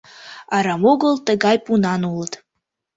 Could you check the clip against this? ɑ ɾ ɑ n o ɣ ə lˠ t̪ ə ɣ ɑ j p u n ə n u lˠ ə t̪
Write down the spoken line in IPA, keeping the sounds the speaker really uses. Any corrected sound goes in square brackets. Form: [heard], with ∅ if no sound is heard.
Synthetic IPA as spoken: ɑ ɾ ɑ [m] o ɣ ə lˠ t̪ ə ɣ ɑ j p u n [ɑ] n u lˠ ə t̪